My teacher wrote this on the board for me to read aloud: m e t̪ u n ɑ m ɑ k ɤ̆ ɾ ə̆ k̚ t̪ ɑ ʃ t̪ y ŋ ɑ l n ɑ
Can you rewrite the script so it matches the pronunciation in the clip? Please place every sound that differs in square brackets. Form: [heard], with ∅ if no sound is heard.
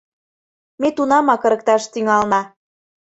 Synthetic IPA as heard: m e t̪ u n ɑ m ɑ k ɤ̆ ɾ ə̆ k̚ t̪ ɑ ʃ t̪ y ŋ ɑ l n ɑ